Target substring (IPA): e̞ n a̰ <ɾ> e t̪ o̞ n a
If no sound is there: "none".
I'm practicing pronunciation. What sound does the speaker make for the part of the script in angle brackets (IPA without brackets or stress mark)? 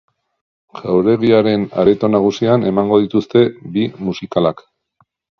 ɾ